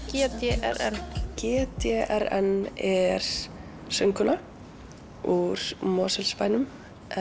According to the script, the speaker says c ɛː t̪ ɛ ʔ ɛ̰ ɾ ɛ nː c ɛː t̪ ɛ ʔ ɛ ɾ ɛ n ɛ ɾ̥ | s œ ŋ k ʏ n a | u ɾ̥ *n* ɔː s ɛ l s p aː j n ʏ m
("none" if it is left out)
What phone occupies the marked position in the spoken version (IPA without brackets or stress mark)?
m